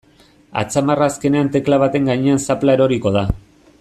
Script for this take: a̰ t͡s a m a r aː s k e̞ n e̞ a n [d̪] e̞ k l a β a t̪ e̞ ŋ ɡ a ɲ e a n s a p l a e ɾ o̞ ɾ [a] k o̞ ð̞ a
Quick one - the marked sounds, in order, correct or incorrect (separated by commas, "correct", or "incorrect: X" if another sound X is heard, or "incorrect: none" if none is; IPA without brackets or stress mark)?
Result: incorrect: t̪, incorrect: i